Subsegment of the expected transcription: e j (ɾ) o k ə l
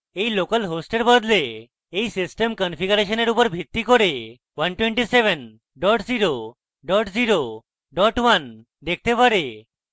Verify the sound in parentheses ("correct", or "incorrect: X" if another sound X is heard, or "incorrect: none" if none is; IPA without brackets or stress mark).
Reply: incorrect: l